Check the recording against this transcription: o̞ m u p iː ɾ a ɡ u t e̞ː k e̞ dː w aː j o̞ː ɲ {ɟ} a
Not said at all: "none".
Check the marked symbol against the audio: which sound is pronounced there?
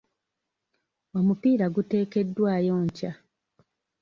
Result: c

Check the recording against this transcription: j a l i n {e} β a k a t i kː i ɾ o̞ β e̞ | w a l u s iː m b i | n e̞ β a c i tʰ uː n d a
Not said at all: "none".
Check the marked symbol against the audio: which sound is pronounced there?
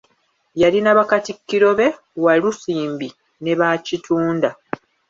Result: a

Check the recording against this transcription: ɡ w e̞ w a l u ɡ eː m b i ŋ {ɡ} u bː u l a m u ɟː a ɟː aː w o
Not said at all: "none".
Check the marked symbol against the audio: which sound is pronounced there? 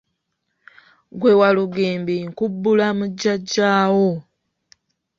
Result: k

